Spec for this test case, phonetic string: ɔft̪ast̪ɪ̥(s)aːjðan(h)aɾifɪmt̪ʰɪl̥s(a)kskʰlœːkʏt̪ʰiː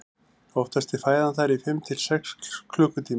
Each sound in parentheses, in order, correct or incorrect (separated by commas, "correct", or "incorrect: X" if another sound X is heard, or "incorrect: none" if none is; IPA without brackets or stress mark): incorrect: f, incorrect: θ, incorrect: ɛ